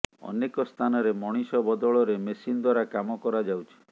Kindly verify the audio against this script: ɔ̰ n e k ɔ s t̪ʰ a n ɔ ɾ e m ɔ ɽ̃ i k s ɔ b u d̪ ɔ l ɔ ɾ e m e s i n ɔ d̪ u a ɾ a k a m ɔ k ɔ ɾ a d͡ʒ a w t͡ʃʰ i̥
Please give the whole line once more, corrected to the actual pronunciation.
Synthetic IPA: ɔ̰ n e k ɔ s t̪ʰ a n ɔ ɾ e m ɔ ɽ̃ i s ɔ b ɔ d̪ ɔ ɭ ɔ ɾ e m e s i n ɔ d̪ w a ɾ a k a m ɔ k ɔ ɾ a d͡ʒ a w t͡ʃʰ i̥